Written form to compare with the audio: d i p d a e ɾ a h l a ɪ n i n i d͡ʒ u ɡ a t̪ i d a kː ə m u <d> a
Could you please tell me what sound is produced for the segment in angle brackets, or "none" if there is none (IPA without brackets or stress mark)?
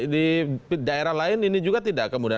d